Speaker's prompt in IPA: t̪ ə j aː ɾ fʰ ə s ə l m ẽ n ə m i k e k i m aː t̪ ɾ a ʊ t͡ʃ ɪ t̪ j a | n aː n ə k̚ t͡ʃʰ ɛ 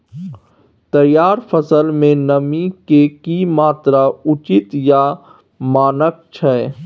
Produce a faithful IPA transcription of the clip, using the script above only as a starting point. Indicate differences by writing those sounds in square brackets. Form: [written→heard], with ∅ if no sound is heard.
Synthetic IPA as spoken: t̪ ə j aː ɾ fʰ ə s ə l m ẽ n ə m i k e k i m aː t̪ ɾ a ʊ t͡ʃ ɪ t̪ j a | [n→m] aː n ə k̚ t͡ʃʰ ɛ

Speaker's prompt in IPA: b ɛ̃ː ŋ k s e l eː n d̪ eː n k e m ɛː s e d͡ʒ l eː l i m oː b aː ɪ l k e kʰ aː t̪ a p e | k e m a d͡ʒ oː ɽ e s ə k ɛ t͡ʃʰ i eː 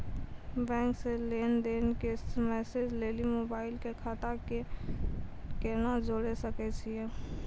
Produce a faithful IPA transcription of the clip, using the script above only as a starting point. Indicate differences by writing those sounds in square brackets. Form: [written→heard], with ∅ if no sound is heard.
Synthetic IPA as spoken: b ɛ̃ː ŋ k s e l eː n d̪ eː n k e m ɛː s e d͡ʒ l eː l i m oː b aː ɪ l k e kʰ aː t̪ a [p→k] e | k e [m→n] a d͡ʒ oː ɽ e s ə k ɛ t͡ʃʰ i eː

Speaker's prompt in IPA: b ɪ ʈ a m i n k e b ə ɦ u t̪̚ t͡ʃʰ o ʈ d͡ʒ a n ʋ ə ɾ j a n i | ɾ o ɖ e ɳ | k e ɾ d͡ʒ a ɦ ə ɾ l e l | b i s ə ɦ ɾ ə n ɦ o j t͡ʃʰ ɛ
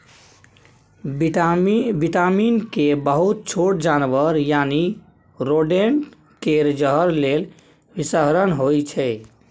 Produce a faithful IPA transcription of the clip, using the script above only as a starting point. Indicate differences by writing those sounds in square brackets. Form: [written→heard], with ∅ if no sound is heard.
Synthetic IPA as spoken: b [ɪ→i] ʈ a m i n k e b ə ɦ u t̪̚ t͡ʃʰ o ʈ d͡ʒ a n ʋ ə ɾ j a n i | ɾ o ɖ e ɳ | k e ɾ d͡ʒ [a→ə] ɦ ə ɾ l e l | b i s ə ɦ ɾ ə n ɦ o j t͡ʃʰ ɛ

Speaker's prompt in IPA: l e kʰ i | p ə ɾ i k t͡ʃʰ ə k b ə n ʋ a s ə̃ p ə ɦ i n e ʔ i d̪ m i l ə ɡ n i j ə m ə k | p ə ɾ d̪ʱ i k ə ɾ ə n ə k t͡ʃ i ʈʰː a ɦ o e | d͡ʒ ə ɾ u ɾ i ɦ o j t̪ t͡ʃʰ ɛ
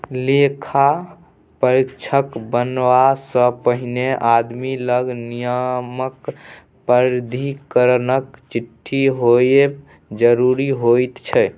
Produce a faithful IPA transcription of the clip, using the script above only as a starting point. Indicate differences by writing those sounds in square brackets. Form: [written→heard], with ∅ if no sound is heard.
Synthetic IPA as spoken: l e kʰ [i→a] | p ə ɾ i k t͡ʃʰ ə k b ə n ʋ a s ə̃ p ə ɦ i n e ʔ [i→a] d̪ m i l ə ɡ n i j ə m ə k | p ə ɾ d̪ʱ i k ə ɾ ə n ə k t͡ʃ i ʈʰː [a→i] ɦ o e | d͡ʒ ə ɾ u ɾ i ɦ o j t̪ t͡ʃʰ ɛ

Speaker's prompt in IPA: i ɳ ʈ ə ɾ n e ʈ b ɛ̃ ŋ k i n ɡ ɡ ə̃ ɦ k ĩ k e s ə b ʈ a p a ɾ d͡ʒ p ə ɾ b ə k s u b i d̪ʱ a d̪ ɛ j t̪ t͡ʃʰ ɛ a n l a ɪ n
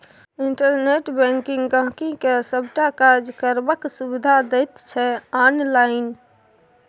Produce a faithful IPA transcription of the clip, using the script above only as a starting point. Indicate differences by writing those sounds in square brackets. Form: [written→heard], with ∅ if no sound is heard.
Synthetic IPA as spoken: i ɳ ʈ ə ɾ n e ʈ b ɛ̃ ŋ k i [n→ŋ] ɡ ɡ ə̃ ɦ k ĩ k e s ə b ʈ a [p→k] a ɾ d͡ʒ [p→k] ə ɾ b ə k s u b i d̪ʱ a d̪ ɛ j t̪ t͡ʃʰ ɛ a n l a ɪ n

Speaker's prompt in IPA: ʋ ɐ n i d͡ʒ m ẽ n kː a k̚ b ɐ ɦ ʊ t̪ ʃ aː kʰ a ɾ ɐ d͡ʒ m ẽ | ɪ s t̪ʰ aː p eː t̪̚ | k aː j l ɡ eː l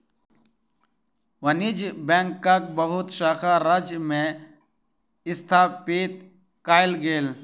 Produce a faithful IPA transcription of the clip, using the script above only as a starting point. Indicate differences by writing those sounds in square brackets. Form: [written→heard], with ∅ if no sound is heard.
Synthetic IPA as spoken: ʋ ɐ n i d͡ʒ [m→b] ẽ [n→ŋ] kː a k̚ b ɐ ɦ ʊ t̪ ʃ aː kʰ a ɾ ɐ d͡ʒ m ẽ | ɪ s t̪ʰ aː p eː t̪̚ | k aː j l ɡ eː l

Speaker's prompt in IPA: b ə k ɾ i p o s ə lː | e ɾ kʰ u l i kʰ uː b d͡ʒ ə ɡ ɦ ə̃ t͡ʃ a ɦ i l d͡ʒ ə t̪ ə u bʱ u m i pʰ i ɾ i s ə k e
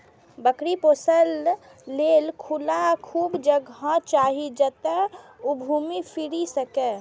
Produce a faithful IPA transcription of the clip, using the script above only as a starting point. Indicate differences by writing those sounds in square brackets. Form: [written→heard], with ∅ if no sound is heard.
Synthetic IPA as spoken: b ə k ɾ i p o s ə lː | e [ɾ→l] kʰ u l [i→a] kʰ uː b d͡ʒ ə ɡ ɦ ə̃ t͡ʃ a ɦ i [l→∅] d͡ʒ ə t̪ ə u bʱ u m i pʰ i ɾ i s ə k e

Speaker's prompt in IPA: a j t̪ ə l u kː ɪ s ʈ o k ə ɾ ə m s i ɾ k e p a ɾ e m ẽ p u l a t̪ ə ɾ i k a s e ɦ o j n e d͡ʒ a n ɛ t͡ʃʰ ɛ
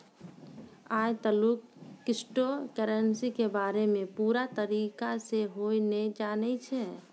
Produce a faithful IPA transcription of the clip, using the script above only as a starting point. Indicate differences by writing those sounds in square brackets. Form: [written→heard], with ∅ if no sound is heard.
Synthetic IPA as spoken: a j t̪ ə l u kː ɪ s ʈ o k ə ɾ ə [m→n] s i [ɾ→∅] k e [p→b] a ɾ e m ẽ p u [l→ɾ] a t̪ ə ɾ i k a s e ɦ o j n e d͡ʒ a n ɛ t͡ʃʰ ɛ

